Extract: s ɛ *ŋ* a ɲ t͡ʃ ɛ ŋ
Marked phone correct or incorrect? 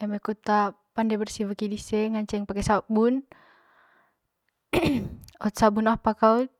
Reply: correct